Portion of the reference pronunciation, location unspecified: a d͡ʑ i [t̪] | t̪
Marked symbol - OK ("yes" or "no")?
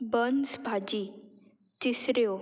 no